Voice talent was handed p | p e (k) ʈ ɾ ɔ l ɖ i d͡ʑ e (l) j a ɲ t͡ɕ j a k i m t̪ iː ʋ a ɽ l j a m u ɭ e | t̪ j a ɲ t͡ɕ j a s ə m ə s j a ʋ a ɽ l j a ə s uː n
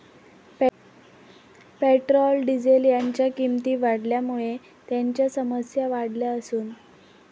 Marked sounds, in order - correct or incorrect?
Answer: incorrect, correct

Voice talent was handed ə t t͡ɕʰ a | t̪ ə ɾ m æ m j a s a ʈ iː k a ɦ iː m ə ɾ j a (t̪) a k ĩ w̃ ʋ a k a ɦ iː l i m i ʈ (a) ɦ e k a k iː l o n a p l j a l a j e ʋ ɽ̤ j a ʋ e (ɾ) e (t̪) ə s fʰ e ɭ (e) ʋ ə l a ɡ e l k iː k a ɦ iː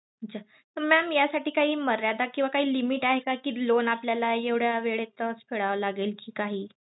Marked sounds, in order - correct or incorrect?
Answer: incorrect, correct, incorrect, correct, incorrect

